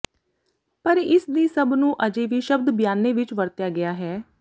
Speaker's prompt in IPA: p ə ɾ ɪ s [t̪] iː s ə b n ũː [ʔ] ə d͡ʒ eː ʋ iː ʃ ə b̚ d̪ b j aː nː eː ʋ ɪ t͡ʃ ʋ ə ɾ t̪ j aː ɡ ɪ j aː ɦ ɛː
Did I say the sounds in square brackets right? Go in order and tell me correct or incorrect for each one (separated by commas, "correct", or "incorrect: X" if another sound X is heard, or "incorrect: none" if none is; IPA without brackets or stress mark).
incorrect: d̪, correct